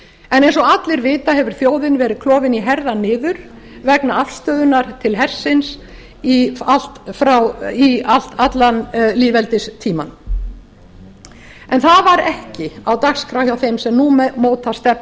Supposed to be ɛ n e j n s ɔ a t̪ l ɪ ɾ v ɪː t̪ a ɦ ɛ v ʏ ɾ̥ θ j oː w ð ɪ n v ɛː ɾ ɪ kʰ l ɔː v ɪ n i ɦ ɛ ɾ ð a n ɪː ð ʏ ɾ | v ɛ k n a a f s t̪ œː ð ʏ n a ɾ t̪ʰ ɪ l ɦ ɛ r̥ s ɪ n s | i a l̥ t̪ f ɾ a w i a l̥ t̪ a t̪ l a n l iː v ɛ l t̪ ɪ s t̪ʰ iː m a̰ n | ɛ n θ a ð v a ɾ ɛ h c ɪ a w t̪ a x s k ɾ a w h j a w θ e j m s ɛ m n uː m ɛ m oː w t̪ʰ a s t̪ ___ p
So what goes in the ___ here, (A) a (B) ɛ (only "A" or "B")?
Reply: B